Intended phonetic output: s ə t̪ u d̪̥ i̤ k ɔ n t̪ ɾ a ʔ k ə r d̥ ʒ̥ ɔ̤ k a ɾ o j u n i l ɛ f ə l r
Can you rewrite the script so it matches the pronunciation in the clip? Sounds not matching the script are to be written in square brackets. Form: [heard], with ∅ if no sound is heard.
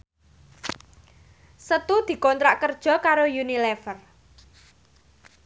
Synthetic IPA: s ə t̪ u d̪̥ i̤ k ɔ n t̪ ɾ a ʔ k ə r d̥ ʒ̥ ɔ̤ k a ɾ o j u n i l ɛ f ə [∅] r